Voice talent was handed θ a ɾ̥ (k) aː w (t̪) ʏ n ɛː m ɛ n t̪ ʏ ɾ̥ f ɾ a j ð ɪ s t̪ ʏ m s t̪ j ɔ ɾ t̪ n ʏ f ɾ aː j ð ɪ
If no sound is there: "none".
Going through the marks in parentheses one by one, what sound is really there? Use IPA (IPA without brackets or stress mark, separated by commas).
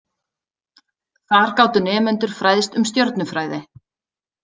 k, t̪